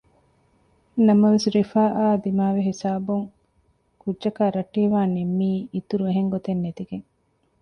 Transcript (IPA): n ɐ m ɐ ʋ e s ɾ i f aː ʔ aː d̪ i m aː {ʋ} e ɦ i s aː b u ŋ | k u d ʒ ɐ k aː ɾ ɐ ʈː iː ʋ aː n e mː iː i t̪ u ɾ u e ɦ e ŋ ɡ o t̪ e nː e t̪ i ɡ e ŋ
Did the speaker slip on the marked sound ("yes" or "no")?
no